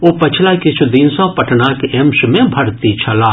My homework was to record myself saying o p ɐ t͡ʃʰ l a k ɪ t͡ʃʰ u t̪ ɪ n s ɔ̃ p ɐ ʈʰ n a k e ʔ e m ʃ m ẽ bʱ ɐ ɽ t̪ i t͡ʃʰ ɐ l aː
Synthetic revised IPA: o p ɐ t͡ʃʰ l a k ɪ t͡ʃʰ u d̪ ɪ n s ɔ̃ p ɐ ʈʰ n a k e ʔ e m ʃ m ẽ bʱ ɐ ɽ t̪ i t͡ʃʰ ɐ l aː